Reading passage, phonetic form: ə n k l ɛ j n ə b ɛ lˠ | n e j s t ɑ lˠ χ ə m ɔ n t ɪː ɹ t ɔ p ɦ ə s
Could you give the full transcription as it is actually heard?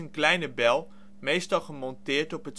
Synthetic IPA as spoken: ə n k l ɛ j n ə b ɛ lˠ | m e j s t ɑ lˠ χ ə m ɔ n t ɪː ɹ t ɔ p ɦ ə t